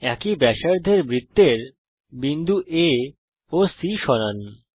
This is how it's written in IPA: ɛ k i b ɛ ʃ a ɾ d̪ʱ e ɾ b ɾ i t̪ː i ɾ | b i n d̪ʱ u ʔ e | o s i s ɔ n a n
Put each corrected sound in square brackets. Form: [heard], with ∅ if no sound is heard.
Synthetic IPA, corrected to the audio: ɛ k i b ɛ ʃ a ɾ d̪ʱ e ɾ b ɾ i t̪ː [e] ɾ | b i n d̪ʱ u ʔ e | o s i [ʃ] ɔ n a n